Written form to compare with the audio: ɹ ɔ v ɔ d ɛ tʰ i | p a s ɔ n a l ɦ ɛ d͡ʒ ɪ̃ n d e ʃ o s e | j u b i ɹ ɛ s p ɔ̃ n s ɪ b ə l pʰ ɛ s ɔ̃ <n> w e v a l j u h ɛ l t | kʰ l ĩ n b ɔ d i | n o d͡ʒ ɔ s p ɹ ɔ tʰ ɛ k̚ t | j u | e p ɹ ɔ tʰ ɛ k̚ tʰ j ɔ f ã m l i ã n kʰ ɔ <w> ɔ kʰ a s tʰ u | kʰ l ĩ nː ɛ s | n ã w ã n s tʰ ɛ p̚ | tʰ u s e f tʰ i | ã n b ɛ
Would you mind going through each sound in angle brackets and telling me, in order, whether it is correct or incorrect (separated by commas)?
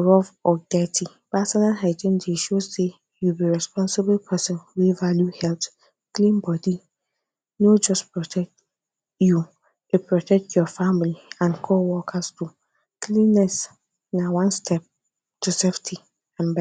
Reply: correct, correct